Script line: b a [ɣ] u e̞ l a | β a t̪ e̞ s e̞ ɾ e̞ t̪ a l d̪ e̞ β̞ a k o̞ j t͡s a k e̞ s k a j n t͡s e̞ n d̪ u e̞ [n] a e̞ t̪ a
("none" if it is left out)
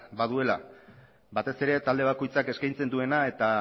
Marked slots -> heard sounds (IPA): ð, n

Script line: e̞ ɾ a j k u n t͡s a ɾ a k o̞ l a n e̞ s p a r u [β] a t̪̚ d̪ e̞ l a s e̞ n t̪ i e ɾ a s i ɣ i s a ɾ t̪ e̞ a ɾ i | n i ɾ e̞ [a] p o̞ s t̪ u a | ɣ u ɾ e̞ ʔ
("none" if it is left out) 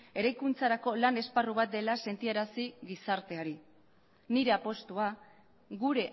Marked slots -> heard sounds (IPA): β, a

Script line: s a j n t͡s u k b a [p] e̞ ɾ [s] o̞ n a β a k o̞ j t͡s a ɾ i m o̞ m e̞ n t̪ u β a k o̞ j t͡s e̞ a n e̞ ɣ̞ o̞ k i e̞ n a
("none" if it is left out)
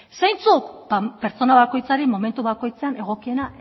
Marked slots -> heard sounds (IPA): p, t͡s

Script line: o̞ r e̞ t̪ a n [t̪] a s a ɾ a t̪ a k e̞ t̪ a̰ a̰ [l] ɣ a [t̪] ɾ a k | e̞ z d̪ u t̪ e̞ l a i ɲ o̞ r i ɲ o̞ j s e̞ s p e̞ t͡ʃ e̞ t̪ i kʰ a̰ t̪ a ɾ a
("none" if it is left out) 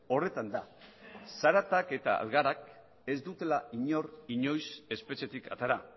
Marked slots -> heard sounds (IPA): d̪, l, none

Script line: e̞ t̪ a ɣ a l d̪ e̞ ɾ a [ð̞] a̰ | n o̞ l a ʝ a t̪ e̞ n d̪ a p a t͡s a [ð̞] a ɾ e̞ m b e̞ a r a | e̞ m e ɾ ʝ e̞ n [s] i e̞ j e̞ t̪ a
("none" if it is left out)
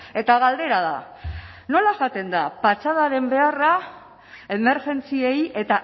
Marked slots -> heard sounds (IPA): ð̞, ð̞, t͡s

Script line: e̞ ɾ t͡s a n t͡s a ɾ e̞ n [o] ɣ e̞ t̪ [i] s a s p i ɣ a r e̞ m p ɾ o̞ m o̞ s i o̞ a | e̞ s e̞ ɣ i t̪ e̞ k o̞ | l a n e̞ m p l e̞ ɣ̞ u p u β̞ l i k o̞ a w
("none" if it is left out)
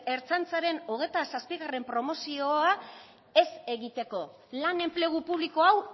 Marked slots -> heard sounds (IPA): o, a

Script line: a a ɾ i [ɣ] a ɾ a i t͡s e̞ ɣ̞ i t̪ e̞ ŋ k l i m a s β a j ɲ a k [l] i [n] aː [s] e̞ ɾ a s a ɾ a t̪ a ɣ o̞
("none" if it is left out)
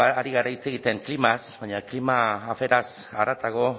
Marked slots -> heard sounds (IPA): ɣ, l, m, f

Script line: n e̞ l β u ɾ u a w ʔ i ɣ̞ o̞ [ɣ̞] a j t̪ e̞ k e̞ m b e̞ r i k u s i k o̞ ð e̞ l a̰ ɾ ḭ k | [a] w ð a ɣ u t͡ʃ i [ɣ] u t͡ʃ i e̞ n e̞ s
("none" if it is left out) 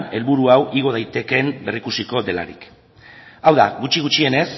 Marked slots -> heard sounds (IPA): ð̞, a, ɣ

